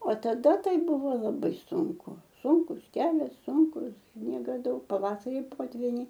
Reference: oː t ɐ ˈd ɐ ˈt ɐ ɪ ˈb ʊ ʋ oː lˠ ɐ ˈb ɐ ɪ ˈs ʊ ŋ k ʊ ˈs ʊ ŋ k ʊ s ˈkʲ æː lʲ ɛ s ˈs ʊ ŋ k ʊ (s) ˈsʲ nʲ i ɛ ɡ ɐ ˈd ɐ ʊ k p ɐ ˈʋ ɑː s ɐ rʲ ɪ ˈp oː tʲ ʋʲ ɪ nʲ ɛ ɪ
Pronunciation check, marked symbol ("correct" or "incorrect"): correct